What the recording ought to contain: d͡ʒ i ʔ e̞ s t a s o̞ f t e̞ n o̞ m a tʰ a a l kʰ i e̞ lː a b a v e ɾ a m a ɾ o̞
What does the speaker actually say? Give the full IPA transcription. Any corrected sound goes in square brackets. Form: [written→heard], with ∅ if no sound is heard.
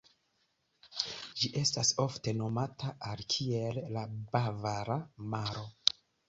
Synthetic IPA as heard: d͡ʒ i ʔ e̞ s t a s o̞ f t e̞ n o̞ m a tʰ a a l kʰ i e̞ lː a b a v [e→a] ɾ a m a ɾ o̞